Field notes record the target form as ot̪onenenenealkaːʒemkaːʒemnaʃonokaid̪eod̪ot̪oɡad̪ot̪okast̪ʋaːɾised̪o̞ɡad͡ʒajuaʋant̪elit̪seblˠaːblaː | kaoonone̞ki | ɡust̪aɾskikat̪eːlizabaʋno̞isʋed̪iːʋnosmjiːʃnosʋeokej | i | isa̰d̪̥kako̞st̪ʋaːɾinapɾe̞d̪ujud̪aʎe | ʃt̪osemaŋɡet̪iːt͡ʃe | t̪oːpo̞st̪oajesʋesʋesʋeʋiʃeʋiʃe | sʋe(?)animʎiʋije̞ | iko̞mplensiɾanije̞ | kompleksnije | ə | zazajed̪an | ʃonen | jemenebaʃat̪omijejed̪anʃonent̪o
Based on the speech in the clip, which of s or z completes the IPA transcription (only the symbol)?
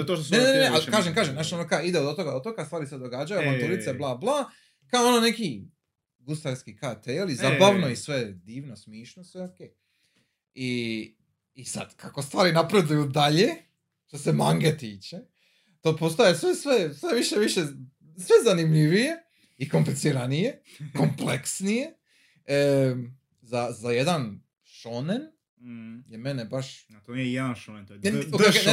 z